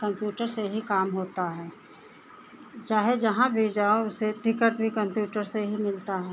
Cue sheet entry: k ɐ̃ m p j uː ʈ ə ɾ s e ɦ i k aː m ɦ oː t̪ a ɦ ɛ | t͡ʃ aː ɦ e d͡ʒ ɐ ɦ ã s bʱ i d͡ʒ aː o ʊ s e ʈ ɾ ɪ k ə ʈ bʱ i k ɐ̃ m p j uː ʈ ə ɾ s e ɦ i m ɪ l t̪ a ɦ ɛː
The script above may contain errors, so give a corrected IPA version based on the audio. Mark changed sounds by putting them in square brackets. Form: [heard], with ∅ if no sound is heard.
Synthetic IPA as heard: k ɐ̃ m p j uː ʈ ə ɾ s e ɦ i k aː m ɦ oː t̪ a ɦ [ɛː] | t͡ʃ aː ɦ e d͡ʒ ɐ ɦ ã [∅] bʱ i d͡ʒ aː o ʊ s e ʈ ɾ ɪ k ə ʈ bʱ i k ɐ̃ m p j uː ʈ ə ɾ s e ɦ i m ɪ l t̪ a ɦ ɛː